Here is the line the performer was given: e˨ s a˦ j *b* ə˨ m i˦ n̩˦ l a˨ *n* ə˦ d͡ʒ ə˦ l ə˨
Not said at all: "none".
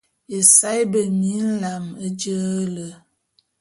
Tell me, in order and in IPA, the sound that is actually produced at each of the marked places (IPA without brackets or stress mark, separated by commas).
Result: b, m